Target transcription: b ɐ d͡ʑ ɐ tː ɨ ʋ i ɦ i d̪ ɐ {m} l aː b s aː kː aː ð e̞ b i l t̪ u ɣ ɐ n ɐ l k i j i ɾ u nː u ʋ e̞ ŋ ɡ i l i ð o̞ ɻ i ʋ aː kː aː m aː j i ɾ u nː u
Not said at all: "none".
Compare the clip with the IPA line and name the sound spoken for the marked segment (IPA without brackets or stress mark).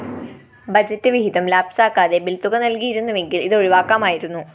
m